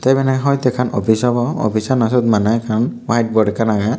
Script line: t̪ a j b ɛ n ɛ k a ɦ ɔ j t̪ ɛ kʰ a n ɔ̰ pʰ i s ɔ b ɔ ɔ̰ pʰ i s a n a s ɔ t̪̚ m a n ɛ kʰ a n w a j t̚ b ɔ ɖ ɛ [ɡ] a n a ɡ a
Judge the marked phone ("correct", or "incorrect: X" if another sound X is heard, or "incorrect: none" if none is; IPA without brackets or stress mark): incorrect: k